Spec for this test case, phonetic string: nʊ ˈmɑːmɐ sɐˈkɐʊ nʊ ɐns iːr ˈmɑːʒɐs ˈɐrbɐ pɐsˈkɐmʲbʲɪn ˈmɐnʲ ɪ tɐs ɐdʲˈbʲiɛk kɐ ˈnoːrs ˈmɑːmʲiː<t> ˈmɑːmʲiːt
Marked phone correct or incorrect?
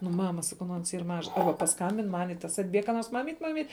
correct